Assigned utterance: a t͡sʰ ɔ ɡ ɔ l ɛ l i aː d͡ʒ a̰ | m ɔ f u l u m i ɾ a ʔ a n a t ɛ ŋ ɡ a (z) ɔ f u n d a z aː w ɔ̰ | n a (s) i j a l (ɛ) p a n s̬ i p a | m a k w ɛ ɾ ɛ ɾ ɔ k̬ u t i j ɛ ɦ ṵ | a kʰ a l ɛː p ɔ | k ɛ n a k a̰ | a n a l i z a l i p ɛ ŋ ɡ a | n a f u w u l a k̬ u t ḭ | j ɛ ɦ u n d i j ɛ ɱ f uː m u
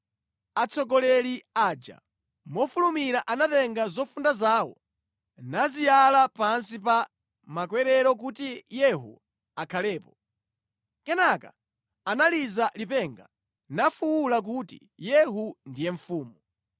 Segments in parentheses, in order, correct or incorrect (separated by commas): correct, incorrect, incorrect